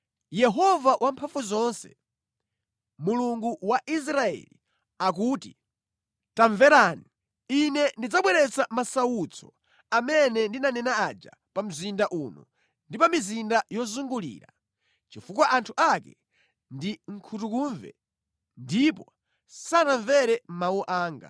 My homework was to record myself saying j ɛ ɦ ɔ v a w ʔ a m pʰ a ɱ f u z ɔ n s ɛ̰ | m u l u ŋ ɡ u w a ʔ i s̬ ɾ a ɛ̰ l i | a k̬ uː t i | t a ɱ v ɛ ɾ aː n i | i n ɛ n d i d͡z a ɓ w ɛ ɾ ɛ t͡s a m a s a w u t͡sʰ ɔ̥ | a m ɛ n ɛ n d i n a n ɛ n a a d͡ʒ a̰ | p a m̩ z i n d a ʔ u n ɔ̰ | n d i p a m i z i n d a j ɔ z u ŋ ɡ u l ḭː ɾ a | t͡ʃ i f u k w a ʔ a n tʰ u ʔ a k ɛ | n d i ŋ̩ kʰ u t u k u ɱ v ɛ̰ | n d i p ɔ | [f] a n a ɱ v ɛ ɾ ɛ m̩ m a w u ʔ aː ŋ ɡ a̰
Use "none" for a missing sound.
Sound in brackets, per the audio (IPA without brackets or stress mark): s